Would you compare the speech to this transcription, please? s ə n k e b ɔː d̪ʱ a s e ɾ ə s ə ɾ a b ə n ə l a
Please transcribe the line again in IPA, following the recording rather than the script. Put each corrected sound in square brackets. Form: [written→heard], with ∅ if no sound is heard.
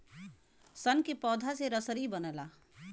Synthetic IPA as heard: s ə n k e [b→p] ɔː d̪ʱ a s e ɾ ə s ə ɾ [a→i] b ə n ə l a